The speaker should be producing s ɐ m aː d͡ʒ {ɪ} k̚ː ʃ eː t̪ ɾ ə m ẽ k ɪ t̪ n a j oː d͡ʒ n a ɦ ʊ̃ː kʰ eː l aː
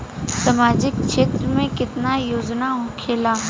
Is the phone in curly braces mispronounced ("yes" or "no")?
no